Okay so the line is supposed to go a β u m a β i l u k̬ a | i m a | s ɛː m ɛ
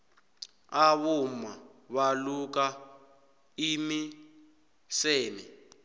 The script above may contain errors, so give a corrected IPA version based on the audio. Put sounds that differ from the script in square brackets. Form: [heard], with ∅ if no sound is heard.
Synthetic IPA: a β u m a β [a] l u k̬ a | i m [i] | s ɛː m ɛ

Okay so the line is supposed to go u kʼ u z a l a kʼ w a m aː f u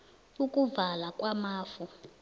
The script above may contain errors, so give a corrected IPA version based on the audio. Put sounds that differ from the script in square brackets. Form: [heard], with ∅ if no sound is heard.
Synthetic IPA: u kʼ u [v] a l a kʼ w a m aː f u

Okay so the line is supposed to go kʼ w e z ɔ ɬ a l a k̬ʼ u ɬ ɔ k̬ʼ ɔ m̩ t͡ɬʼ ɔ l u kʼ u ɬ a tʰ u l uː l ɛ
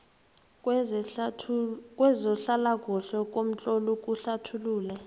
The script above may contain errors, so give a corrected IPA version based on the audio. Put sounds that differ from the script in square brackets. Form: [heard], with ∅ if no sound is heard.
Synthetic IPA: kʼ w [ɛ] z ɔ ɬ a l a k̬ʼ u ɬ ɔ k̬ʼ [o] m̩ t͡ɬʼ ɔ l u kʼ u ɬ a tʰ u l uː l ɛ

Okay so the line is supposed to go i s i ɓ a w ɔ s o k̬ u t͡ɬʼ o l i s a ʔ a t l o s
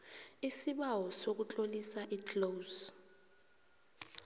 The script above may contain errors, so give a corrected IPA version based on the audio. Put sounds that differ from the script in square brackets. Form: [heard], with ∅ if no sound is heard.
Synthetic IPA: i s i ɓ a w ɔ s o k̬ u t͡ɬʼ o l i s a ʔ [i] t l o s

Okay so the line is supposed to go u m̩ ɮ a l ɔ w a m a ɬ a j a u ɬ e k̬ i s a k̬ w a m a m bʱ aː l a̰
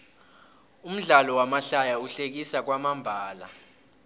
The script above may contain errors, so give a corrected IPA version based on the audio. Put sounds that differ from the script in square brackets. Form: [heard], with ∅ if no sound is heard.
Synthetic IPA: u m̩ ɮ a l ɔ w a m a ɬ a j a u ɬ e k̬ i s a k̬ w a m a m bʱ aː l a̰

